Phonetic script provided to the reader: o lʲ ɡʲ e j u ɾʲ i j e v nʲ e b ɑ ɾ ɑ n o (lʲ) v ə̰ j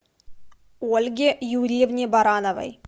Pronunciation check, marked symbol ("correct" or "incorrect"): incorrect